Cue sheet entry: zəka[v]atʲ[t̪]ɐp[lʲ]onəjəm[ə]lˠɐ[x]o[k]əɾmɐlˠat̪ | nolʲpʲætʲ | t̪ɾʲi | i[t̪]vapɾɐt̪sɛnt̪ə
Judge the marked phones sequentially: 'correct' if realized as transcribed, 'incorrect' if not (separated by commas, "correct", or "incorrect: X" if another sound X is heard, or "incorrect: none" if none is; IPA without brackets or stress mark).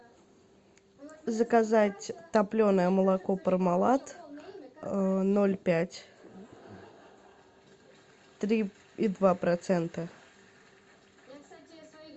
incorrect: z, correct, correct, correct, incorrect: k, incorrect: p, incorrect: d̪